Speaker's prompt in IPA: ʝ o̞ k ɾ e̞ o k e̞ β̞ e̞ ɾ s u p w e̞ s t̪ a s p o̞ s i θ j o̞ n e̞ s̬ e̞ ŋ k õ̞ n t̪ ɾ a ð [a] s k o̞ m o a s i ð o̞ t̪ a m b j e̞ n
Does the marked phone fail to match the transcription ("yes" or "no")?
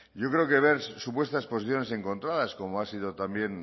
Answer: no